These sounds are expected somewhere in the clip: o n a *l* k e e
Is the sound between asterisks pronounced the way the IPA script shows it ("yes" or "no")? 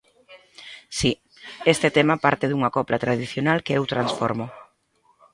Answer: yes